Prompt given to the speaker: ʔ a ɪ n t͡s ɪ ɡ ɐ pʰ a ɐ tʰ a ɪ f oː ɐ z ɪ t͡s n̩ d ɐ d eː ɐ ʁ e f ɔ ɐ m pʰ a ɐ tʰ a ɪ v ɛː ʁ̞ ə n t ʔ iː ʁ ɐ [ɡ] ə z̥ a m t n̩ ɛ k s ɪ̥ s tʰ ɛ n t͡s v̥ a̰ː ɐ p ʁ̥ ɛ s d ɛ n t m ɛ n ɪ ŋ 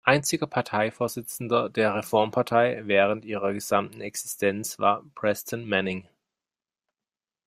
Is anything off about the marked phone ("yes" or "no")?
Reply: no